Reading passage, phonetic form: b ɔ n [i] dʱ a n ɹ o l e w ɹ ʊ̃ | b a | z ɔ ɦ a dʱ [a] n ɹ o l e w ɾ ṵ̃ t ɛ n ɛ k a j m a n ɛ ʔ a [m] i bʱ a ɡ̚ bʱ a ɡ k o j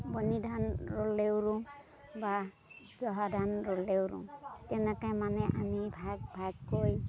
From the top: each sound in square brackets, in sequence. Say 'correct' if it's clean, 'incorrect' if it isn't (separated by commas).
correct, correct, correct